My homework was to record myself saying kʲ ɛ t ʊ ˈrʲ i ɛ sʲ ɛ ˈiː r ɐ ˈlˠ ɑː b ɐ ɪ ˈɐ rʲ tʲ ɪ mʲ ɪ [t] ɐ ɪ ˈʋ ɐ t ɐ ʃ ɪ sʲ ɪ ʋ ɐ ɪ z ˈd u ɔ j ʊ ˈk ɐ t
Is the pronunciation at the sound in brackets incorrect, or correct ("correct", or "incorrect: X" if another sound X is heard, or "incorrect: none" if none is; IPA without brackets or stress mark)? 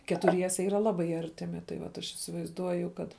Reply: correct